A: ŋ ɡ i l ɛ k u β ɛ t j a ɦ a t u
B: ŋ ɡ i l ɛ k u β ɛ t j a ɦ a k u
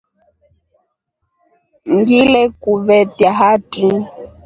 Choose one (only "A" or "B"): A